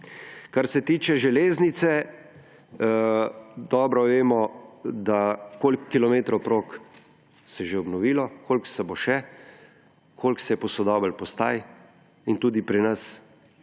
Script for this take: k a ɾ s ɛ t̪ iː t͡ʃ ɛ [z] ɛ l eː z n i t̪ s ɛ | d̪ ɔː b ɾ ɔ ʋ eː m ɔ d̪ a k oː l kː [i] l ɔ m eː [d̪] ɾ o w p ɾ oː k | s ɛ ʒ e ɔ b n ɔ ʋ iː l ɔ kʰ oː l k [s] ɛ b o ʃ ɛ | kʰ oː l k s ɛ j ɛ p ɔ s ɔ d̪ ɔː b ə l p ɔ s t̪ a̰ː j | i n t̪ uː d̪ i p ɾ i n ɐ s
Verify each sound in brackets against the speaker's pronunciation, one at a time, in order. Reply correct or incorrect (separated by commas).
incorrect, correct, incorrect, correct